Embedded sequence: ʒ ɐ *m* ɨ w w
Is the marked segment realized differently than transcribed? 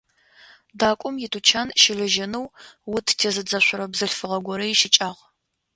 yes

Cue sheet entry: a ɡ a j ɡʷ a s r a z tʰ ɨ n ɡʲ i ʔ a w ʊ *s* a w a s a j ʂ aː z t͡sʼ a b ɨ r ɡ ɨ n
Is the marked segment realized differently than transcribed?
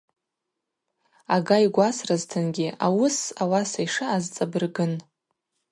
no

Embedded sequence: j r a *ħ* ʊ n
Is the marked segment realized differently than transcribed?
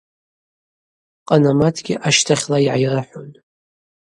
no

